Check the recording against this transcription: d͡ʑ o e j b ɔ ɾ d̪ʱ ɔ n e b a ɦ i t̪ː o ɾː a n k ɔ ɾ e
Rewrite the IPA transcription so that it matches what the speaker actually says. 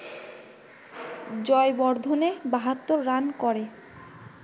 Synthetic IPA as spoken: d͡ʑ ɔ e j b ɔ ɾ d̪ʱ o n e b a ɦ a t̪ː o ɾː a n k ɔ ɾ e